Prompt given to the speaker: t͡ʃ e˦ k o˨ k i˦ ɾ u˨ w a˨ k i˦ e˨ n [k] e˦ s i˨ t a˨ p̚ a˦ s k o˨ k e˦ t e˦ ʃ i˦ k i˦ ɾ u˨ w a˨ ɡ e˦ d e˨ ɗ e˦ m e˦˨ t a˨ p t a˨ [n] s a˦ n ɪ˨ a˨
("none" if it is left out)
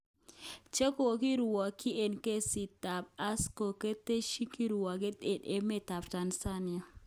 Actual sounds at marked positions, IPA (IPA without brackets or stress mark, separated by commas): k, n